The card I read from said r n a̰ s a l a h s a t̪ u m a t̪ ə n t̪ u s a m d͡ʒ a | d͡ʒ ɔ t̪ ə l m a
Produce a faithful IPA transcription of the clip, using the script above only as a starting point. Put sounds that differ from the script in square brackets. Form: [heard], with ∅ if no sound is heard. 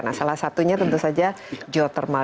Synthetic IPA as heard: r n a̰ s a l a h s a t̪ u [ɲ] a t̪ ə n t̪ u s a [∅] d͡ʒ a | d͡ʒ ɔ t̪ ə [r] m a